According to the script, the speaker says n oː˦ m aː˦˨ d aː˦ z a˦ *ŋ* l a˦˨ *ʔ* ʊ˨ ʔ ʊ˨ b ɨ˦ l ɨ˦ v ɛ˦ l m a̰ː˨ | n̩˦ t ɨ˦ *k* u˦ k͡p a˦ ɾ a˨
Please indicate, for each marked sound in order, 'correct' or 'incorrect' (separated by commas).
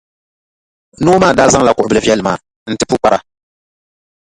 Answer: correct, incorrect, incorrect